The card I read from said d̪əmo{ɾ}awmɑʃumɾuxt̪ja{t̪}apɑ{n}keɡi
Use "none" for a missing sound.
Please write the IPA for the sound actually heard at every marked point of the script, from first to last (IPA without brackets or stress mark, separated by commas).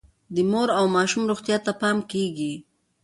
ɾ, t̪, m